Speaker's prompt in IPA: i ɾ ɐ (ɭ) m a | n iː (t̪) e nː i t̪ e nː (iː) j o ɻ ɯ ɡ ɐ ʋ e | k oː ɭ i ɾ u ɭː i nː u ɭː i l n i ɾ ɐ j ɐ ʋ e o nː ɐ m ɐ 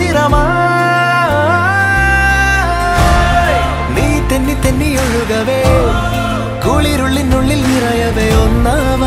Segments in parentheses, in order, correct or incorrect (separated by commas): incorrect, correct, incorrect